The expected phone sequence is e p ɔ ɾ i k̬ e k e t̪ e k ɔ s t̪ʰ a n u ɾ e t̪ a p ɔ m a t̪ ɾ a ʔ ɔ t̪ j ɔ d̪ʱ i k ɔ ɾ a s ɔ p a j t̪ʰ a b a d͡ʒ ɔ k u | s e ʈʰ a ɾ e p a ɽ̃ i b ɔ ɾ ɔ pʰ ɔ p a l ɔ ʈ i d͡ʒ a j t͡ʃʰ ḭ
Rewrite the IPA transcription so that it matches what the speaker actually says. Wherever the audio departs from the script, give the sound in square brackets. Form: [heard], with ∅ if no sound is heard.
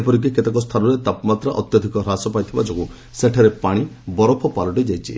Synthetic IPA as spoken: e p ɔ ɾ i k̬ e k e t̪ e k ɔ s t̪ʰ a n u ɾ e t̪ a p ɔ m a t̪ ɾ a ʔ ɔ t̪ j ɔ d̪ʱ i k ɔ ɾ a s ɔ p a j t̪ʰ [i] b a d͡ʒ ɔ k u | s e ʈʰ a ɾ e p a ɽ̃ i b ɔ ɾ ɔ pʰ ɔ p a l ɔ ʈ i d͡ʒ a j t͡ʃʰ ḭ